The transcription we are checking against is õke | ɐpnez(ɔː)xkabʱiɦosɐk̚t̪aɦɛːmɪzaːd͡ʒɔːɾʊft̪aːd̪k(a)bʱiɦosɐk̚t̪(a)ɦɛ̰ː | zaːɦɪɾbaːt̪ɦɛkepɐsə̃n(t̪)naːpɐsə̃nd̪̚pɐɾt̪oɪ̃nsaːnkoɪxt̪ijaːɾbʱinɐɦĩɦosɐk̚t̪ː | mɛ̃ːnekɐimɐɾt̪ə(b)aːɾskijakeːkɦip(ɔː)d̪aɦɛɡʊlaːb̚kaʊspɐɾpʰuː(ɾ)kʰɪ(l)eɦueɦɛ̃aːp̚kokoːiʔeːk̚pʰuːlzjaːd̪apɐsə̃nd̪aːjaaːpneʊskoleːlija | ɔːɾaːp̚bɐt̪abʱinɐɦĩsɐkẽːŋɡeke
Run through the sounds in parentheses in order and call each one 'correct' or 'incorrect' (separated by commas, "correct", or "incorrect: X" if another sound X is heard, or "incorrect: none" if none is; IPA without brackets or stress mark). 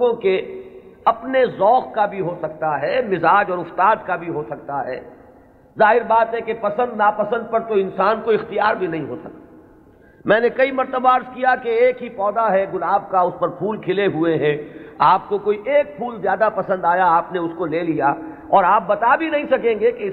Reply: correct, correct, correct, incorrect: d̪, correct, correct, incorrect: l, correct